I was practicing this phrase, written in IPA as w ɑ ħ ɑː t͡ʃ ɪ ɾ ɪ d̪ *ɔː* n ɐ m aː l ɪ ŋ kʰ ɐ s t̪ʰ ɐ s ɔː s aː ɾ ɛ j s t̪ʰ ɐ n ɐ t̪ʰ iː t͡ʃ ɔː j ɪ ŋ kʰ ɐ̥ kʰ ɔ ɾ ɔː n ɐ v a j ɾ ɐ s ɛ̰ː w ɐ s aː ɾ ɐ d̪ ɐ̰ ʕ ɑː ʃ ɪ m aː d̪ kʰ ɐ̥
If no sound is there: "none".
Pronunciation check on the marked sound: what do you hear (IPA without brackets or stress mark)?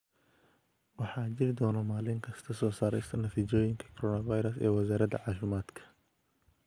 ɔː